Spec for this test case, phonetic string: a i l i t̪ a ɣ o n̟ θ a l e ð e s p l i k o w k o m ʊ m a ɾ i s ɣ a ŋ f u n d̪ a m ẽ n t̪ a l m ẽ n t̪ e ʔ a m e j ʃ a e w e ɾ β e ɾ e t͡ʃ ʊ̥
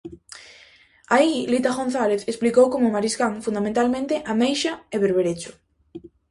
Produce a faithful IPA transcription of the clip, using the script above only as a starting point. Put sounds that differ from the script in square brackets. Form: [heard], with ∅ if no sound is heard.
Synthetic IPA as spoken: a i l i t̪ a ɣ o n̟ θ a l e [θ] e s p l i k o w k o m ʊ m a ɾ i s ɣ a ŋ f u n d̪ a m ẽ n t̪ a l m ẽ n t̪ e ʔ a m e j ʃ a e [β] e ɾ β e ɾ e t͡ʃ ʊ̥